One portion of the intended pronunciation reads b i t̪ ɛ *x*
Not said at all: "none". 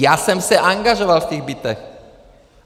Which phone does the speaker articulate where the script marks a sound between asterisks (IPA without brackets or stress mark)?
x